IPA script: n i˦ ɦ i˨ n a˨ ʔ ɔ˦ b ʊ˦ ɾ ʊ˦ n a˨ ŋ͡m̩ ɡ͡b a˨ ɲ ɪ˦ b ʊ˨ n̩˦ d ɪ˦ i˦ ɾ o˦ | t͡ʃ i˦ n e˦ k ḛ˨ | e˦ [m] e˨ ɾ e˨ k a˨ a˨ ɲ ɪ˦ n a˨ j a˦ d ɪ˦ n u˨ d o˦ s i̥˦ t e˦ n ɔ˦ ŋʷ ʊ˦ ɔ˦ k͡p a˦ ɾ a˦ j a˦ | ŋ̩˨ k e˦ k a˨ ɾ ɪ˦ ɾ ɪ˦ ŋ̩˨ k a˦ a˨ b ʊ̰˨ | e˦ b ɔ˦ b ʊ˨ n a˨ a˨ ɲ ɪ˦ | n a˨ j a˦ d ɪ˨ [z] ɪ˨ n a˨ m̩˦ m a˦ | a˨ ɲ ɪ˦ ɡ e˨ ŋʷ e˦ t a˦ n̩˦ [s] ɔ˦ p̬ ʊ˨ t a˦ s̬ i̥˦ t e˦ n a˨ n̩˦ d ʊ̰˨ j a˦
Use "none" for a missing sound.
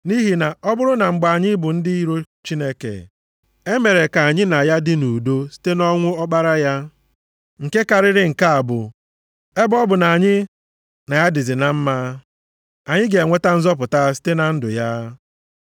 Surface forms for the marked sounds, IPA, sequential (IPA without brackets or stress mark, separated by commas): m, z, z